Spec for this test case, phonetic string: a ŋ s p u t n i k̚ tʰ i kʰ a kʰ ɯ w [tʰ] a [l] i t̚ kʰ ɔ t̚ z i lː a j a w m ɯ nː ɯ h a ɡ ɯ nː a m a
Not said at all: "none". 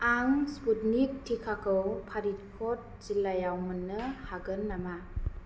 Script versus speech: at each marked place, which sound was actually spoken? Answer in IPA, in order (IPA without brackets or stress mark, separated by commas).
pʰ, ɾ